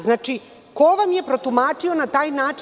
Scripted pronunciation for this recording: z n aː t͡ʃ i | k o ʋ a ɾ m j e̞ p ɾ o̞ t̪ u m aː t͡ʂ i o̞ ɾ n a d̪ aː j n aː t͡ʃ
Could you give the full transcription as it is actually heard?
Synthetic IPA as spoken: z n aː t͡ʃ i | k o ʋ a m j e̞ p ɾ o̞ t̪ u m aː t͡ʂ i o̞ n a t̪ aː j n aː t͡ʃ

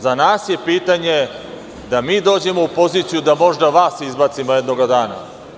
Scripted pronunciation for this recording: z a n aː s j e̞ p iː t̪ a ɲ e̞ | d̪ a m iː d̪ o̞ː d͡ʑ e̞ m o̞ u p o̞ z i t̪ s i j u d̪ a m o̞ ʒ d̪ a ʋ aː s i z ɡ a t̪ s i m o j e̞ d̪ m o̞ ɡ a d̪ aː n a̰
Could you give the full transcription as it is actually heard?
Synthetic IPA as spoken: z a n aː s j e̞ p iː t̪ a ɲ e̞ | d̪ a m iː d̪ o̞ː d͡ʑ e̞ m o̞ u p o̞ z i t̪ s i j u d̪ a m o̞ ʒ d̪ a ʋ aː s i z b a t̪ s i m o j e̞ d̪ n o̞ ɡ a d̪ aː n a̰

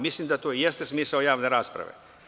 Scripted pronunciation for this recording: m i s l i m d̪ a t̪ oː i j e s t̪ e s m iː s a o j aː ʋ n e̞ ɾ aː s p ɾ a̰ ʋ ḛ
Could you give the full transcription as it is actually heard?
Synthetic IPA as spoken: m i s l i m d̪ a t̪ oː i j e s t̪ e s m iː s a o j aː ʋ n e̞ ɾ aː s p ɾ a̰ ʋ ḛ

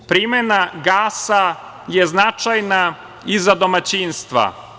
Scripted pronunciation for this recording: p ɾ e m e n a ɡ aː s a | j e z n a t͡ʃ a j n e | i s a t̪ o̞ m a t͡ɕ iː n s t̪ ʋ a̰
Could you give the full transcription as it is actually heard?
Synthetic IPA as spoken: p ɾ i m e n a ɡ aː s a | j e z n a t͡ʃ a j n a | i z a d̪ o̞ m a t͡ɕ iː n s t̪ ʋ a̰

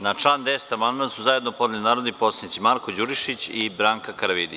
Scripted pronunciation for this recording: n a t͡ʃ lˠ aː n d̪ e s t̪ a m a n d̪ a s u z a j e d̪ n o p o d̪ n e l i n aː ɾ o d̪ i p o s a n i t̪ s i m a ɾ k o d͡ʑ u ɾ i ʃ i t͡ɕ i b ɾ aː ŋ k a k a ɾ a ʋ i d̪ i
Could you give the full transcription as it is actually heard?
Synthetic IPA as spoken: n a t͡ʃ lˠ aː n d̪ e s t̪ a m a n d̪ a s u z a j e d̪ n o p o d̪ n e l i n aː ɾ o d̪ i p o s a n i t̪ s i m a ɾ k o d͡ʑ u ɾ i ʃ i t͡ɕ i b ɾ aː ŋ k a k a ɾ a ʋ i d̪ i

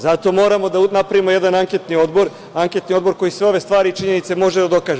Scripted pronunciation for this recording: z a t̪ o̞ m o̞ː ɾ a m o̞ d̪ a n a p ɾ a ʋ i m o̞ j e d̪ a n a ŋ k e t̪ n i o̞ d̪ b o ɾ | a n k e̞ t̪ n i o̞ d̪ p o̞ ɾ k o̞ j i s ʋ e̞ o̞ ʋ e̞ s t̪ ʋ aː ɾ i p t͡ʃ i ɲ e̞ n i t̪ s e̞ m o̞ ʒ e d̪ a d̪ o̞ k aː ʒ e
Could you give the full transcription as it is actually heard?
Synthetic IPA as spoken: z a t̪ o̞ m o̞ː ɾ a m o̞ d̪ a n a p ɾ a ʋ i m o̞ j e d̪ a n a ŋ k e t̪ n i o̞ d̪ b o ɾ | a ŋ k e̞ t̪ n i o̞ d̪ b o̞ ɾ k o̞ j i s ʋ e̞ o̞ ʋ e̞ s t̪ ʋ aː ɾ i t͡ʃ i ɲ e̞ n i t̪ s e̞ m o̞ ʒ e d̪ a d̪ o̞ k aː ʒ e

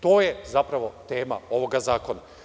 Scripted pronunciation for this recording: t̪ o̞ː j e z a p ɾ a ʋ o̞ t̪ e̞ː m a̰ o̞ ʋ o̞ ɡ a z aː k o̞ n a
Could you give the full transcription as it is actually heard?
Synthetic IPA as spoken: t̪ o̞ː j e z a p ɾ a ʋ o̞ t̪ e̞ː m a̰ o̞ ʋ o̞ ɡ a z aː k o̞ n a

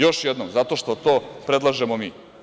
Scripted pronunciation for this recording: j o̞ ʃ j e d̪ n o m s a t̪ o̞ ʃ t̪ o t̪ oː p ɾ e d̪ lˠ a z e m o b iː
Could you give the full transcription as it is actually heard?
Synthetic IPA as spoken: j o̞ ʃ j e d̪ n o m z a t̪ o̞ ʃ t̪ o t̪ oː p ɾ e d̪ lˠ a ʒ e m o m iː

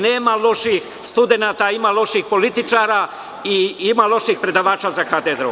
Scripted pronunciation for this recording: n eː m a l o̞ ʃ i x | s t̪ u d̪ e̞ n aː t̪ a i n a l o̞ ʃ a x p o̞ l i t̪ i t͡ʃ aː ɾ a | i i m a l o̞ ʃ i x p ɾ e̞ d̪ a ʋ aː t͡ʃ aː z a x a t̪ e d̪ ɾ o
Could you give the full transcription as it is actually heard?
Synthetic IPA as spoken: n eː m a l o̞ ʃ i x | s t̪ u d̪ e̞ n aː t̪ a i m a l o̞ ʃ i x p o̞ l i t̪ i t͡ʃ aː ɾ a | i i m a l o̞ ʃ i x p ɾ e̞ d̪ a ʋ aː t͡ʃ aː z a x a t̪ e d̪ ɾ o

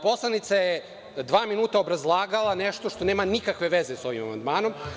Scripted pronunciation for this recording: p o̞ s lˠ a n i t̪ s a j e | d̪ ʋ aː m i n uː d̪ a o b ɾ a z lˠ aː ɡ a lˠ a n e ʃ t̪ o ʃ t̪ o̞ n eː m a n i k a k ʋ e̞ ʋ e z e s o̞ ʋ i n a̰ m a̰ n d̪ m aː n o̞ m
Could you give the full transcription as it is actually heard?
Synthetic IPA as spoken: p o̞ s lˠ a n i t̪ s a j e | d̪ ʋ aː m i n uː t̪ a o b ɾ a z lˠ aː ɡ a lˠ a n e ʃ t̪ o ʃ t̪ o̞ n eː m a n i k a k ʋ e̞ ʋ e z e s o̞ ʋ i m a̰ m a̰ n d̪ m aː n o̞ m

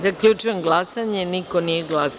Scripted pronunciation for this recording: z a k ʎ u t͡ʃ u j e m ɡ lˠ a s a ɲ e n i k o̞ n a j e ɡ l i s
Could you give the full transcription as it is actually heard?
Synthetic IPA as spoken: z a k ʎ u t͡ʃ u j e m ɡ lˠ a s a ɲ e n i k o̞ n i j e ɡ l a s

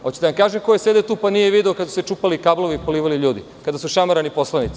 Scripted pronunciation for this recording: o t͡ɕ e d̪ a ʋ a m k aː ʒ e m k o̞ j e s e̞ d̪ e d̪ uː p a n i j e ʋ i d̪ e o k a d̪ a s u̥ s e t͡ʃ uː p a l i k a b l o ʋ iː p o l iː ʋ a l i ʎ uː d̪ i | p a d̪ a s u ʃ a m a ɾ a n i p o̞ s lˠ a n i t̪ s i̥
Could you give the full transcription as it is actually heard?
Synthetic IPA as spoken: o t͡ɕ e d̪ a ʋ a m k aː ʒ e m k o̞ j e s e̞ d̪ e t̪ uː p a n i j e ʋ i d̪ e o k a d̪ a s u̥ s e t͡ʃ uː p a l i k a b l o ʋ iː p o l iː ʋ a l i ʎ uː d̪ i | k a d̪ a s u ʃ a m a ɾ a n i p o̞ s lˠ a n i t̪ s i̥

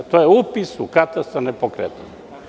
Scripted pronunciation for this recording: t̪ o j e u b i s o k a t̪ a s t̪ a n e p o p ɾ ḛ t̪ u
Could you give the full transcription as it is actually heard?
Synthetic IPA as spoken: t̪ o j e u p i s u k a t̪ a s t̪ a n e p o k ɾ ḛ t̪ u

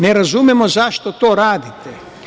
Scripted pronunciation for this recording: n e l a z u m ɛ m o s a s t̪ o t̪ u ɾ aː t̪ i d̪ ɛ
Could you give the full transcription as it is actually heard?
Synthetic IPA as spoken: n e ɾ a z u m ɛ m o z a ʃ t̪ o t̪ o ɾ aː d̪ i t̪ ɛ

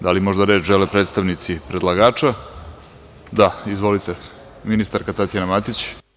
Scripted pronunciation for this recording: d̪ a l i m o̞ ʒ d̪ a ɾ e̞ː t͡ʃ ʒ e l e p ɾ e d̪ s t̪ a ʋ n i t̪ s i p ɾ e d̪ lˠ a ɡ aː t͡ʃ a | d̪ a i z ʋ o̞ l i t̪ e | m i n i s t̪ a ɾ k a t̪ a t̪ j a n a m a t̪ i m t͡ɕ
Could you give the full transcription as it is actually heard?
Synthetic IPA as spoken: d̪ a l i m o̞ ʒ d̪ a ɾ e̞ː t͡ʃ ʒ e l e p ɾ e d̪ s t̪ a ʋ n i t̪ s i p ɾ e d̪ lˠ a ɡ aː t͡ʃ a | d̪ a i z ʋ o̞ l i t̪ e | m i n i s t̪ a ɾ k a t̪ a t̪ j a n a m a t̪ i t͡ɕ

